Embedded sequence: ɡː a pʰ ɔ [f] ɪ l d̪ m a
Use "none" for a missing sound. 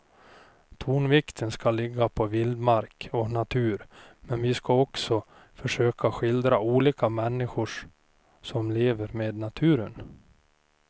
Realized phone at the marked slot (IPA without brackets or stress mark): v